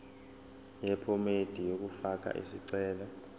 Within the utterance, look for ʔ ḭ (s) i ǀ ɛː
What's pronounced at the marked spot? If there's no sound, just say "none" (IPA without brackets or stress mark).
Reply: s